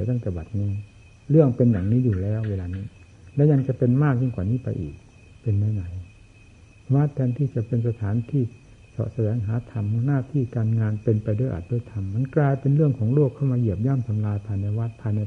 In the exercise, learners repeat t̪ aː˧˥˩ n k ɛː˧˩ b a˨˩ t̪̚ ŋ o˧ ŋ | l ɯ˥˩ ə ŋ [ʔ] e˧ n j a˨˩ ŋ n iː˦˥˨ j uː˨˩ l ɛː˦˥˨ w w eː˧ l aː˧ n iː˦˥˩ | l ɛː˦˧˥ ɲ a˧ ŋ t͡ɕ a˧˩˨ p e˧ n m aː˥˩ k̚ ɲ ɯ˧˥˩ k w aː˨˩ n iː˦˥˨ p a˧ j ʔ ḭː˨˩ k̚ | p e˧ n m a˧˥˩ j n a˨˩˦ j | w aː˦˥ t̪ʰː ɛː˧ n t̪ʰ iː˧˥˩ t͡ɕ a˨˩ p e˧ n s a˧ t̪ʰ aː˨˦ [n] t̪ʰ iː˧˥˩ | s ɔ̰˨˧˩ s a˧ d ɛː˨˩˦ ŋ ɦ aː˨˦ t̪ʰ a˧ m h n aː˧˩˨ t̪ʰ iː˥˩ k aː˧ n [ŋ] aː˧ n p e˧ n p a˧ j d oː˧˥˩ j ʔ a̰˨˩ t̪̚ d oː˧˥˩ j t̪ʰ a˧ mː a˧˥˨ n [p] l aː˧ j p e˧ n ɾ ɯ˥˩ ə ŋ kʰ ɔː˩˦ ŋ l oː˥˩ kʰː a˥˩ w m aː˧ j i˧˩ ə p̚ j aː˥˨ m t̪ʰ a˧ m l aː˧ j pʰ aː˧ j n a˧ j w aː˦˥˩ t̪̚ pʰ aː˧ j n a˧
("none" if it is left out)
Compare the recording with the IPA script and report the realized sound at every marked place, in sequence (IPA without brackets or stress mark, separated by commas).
p, n, ŋ, k